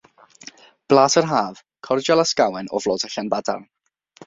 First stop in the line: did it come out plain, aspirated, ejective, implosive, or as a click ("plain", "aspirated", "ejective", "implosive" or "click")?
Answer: plain